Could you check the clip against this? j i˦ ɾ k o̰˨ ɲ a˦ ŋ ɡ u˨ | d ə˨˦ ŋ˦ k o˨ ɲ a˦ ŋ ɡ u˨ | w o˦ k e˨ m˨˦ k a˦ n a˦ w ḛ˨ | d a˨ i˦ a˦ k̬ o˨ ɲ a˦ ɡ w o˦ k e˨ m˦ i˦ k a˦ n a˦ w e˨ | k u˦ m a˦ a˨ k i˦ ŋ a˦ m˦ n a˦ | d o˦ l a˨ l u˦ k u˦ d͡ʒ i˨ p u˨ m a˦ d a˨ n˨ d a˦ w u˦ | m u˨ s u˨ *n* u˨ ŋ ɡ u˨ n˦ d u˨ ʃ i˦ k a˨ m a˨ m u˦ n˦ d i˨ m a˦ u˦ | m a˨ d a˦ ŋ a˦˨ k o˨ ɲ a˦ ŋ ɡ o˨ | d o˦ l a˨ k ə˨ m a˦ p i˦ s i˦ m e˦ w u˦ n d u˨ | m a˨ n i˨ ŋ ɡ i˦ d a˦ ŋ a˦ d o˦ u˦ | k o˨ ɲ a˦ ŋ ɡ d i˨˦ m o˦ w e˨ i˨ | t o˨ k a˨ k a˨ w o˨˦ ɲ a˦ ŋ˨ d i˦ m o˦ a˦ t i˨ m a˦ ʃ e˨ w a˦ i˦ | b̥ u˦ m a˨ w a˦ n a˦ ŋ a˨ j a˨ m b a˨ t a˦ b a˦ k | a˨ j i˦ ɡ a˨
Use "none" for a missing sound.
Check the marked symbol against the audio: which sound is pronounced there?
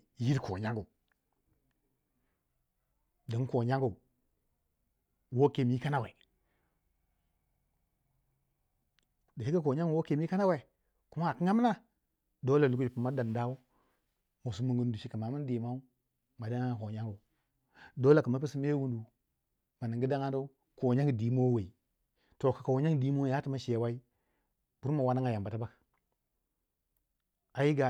m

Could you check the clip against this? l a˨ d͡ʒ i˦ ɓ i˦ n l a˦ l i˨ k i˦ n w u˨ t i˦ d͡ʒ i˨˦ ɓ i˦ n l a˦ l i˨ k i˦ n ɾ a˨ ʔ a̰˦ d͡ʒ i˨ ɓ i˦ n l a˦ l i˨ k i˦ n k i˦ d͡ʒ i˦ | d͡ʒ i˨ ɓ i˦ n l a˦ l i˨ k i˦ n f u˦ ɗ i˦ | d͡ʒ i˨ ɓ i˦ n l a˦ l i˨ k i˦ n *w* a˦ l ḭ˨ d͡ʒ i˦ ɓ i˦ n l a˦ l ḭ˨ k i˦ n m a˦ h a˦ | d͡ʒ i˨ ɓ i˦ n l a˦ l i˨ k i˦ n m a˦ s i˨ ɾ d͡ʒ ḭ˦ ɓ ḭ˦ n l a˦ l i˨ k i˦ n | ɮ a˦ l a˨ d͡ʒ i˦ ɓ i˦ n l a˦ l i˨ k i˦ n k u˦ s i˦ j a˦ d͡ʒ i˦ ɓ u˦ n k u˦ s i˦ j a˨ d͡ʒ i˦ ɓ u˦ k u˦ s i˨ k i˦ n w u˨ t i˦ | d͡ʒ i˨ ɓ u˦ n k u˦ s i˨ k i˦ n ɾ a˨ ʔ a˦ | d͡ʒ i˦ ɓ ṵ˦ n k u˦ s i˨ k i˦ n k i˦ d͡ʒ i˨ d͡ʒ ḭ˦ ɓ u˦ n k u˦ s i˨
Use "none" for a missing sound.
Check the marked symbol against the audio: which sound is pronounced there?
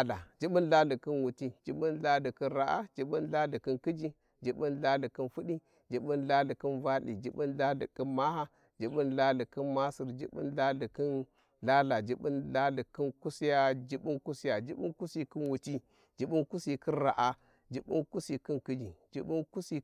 v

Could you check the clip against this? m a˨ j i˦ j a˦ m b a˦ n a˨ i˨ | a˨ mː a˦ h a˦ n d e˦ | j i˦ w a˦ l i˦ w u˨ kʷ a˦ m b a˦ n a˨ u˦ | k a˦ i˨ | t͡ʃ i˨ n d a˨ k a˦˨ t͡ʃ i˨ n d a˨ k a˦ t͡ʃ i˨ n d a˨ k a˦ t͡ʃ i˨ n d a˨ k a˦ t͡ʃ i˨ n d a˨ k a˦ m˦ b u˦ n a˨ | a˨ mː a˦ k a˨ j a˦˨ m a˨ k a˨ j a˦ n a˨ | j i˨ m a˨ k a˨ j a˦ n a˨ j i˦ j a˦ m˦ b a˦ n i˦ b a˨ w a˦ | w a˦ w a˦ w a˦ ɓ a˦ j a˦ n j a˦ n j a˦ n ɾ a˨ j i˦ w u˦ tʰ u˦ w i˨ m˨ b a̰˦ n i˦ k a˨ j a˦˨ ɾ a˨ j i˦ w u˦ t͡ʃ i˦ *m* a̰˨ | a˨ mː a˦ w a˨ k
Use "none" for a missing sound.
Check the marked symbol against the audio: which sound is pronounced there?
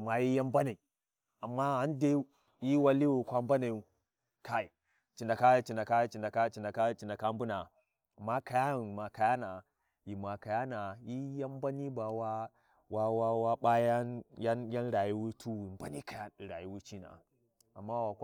n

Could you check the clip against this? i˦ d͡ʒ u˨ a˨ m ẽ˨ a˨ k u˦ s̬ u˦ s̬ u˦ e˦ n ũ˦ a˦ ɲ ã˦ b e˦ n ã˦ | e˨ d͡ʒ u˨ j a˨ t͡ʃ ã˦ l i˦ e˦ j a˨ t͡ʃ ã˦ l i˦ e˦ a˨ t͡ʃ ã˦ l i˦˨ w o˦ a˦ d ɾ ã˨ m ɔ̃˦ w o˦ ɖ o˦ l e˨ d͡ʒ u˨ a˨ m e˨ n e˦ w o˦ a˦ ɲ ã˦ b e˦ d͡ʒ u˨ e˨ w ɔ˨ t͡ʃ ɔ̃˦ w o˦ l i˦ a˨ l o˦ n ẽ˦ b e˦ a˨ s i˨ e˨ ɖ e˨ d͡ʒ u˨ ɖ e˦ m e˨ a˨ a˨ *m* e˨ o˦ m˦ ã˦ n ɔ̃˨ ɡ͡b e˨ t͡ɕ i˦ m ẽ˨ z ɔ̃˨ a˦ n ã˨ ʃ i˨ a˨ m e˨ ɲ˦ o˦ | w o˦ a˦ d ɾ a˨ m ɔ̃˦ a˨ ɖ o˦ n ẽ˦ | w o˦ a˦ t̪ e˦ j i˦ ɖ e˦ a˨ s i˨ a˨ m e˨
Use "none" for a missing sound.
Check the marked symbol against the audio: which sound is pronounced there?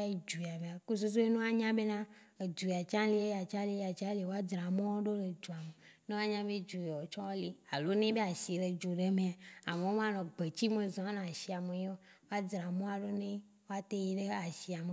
m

